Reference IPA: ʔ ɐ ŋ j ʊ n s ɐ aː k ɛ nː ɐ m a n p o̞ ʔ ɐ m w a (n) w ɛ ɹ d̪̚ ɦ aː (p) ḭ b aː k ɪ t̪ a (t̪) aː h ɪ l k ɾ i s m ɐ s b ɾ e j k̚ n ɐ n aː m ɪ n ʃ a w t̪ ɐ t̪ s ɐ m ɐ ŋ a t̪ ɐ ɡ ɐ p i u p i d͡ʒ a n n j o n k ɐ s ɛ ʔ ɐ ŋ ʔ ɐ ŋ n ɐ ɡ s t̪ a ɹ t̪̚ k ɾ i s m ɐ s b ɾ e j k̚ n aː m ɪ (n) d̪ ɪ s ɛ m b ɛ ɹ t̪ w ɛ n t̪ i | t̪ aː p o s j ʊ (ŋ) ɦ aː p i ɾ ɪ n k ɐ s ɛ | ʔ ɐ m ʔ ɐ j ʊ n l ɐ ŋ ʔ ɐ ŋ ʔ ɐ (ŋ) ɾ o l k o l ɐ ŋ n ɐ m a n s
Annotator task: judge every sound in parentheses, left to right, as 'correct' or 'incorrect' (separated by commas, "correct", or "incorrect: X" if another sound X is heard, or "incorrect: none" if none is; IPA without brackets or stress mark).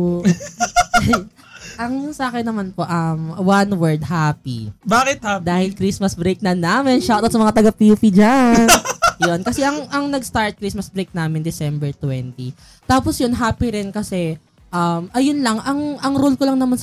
correct, correct, incorrect: d̪, correct, incorrect: n, correct